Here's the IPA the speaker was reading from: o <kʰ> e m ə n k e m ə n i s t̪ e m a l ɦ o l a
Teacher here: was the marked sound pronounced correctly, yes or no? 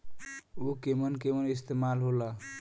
no